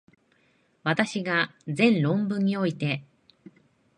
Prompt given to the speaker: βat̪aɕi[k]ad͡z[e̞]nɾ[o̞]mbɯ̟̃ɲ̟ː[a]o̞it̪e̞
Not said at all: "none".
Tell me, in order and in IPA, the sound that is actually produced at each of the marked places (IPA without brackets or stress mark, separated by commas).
ɡ, ẽ̞, õ̞, i